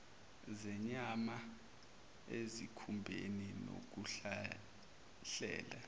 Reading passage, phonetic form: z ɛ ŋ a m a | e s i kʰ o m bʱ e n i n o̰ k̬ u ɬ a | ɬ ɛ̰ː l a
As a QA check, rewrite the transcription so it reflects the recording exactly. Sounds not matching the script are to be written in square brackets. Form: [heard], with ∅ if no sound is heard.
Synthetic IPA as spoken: z ɛ [ɲ] a m a | e [z] i kʰ [u] m bʱ e n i n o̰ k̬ u ɬ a | ɬ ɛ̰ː l a